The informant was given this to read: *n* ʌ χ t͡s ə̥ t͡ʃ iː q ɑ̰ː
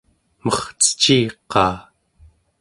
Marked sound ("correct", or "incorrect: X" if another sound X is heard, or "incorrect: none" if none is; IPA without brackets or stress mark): incorrect: m